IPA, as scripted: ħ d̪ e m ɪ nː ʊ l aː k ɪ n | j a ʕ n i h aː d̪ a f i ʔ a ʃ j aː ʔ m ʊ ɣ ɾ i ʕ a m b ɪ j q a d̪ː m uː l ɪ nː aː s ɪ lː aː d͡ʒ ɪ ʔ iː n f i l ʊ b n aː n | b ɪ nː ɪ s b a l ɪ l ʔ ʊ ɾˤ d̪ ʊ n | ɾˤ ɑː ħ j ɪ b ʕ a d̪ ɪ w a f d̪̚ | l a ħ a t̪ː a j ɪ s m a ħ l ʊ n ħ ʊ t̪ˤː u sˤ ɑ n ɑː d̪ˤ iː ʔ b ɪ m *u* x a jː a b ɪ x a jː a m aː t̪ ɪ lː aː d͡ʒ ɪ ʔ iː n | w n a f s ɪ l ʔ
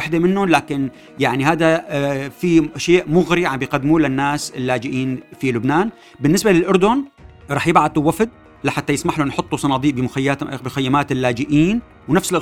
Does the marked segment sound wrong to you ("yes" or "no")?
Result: yes